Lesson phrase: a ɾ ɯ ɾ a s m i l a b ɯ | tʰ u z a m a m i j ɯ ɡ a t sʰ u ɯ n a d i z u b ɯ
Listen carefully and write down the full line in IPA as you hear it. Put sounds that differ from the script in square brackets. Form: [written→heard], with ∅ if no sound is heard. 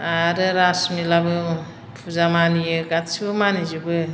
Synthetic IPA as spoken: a ɾ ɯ ɾ a s m i l a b ɯ | [tʰ→pʰ] u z a m a [m→n] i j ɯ ɡ a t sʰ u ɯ [n→m] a [d→n] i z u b ɯ